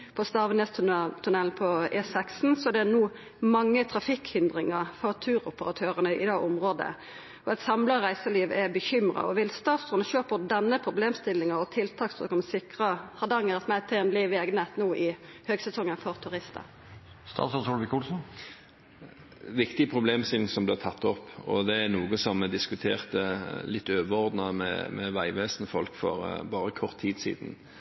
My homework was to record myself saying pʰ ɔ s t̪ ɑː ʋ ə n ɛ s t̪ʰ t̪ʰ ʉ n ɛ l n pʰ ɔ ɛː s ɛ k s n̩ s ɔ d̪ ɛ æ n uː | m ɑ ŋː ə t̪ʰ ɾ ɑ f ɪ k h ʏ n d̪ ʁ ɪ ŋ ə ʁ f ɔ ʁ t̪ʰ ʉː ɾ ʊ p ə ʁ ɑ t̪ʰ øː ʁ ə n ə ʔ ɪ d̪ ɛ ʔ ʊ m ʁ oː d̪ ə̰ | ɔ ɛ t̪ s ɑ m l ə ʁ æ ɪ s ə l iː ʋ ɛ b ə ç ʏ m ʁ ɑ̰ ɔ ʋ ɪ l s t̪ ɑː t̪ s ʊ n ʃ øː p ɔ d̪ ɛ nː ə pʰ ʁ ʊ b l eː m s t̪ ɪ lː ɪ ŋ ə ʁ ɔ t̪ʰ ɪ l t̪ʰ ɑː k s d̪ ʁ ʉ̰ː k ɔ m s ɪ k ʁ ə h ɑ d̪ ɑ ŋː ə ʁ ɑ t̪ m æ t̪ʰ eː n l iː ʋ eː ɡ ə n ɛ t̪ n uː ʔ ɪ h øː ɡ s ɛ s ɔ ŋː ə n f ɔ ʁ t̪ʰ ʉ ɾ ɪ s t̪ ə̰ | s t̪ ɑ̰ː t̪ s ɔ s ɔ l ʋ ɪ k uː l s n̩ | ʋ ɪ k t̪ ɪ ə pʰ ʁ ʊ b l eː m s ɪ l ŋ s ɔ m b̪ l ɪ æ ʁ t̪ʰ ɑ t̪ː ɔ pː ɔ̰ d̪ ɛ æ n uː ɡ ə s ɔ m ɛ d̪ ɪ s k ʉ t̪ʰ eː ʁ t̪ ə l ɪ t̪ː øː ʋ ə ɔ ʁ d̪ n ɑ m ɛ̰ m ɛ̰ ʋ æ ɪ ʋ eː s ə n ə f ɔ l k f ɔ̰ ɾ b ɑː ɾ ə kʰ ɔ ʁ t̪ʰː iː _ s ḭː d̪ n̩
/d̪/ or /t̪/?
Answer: d̪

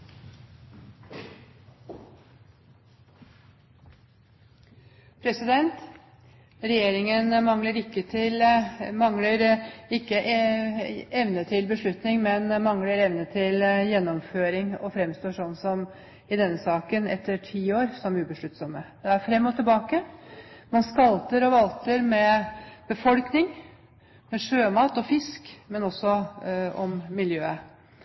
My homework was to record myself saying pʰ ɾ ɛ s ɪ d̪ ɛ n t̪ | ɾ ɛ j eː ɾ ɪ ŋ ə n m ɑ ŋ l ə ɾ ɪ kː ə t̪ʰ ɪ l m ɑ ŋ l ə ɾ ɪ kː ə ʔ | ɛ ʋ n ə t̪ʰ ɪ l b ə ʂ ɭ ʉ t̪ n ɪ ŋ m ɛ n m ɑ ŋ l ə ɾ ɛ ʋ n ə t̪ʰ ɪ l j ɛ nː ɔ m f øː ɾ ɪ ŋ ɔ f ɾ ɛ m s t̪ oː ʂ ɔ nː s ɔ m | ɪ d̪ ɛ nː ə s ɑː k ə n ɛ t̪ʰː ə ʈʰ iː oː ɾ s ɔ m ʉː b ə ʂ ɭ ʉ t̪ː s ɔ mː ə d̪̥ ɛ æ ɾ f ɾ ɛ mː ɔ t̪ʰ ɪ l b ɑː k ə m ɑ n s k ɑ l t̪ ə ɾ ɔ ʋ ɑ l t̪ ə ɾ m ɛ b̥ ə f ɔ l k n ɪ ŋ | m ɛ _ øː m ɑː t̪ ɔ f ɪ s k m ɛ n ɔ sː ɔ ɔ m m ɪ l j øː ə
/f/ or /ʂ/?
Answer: ʂ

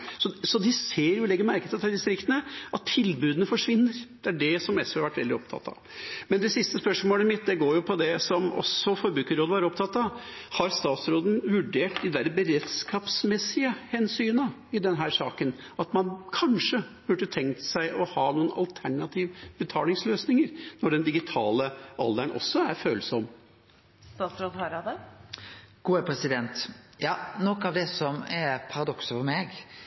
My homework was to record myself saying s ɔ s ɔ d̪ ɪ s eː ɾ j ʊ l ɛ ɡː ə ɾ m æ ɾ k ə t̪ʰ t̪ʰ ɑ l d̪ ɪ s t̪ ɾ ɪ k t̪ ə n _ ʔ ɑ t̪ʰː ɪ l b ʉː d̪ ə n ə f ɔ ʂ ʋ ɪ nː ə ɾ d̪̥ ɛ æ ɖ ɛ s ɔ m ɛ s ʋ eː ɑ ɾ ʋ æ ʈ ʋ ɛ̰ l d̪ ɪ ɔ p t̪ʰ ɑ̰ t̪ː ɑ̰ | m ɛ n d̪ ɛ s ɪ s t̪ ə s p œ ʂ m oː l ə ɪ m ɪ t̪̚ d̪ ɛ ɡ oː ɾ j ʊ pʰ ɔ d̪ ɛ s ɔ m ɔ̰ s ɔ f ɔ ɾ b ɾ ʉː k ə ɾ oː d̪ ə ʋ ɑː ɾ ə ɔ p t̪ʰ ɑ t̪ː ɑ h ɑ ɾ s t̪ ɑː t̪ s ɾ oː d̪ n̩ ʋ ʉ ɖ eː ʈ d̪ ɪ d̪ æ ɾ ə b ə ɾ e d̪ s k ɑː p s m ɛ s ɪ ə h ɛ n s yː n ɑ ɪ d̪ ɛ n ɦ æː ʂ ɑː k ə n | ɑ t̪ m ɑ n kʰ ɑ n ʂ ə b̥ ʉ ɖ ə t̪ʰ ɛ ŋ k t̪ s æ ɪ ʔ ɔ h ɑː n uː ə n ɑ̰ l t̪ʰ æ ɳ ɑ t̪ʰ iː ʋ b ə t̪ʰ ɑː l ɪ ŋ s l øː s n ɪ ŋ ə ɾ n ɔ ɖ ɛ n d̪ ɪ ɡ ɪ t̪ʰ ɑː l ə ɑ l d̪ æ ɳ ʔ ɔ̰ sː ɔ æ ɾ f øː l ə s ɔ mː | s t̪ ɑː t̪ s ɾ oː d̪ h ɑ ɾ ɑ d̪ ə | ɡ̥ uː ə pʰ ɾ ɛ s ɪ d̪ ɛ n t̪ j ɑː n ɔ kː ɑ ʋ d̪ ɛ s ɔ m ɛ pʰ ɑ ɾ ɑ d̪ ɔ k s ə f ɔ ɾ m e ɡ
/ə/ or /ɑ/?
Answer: ə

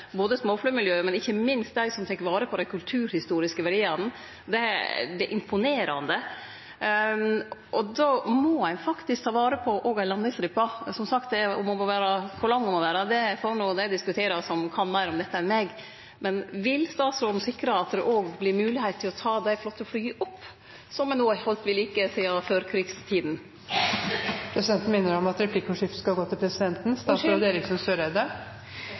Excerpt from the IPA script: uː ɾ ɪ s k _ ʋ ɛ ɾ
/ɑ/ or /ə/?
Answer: ə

